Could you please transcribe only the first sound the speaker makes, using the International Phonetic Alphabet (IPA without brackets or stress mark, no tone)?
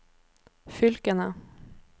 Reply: f